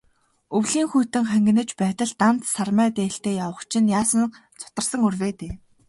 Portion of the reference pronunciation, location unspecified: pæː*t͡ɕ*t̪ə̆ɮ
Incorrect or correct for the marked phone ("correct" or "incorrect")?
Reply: incorrect